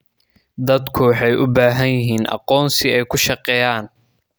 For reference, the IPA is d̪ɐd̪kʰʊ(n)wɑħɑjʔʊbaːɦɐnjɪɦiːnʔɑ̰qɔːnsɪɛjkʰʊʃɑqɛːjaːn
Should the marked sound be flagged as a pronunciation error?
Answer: yes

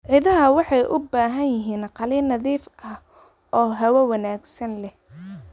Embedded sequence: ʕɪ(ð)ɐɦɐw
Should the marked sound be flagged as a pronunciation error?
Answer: no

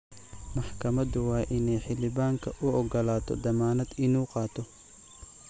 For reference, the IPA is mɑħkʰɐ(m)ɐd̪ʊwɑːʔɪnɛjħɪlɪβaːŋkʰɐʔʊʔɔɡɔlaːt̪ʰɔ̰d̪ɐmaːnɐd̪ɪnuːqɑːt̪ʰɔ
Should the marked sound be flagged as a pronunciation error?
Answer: no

